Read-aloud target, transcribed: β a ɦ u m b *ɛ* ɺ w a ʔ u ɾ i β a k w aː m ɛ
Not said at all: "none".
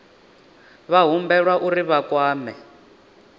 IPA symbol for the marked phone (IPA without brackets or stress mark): ɛ